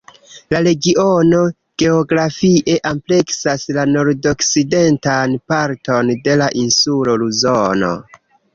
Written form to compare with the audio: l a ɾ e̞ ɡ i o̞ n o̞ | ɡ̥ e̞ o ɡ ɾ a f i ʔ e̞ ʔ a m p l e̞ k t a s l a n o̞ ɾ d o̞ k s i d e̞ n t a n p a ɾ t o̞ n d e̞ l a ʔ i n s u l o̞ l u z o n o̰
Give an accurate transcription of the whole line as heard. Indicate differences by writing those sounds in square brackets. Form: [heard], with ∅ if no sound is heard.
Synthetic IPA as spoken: l a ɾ e̞ ɡ i o̞ n o̞ | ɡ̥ e̞ o ɡ ɾ a f i ʔ e̞ ʔ a m p l e̞ k [s] a s l a n o̞ ɾ d o̞ k s i d e̞ n t a n p a ɾ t o̞ n d e̞ l a ʔ i n s u l o̞ l u z o n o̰